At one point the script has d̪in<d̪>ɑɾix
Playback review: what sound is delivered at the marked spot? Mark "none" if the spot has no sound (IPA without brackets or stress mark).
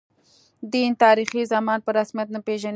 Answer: t̪